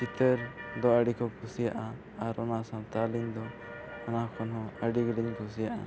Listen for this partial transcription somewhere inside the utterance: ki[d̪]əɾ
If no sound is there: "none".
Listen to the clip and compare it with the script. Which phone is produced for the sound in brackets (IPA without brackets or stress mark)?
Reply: t̪